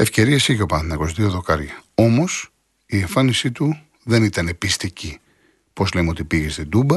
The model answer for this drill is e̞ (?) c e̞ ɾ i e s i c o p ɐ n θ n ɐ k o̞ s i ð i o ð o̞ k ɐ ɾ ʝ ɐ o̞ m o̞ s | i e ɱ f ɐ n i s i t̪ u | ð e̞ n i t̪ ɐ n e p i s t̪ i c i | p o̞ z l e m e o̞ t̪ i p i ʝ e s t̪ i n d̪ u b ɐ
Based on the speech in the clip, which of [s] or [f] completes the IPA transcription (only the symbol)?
f